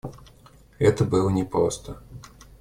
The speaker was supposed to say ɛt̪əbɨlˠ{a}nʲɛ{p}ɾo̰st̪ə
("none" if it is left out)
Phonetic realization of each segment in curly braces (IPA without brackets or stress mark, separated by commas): ə, p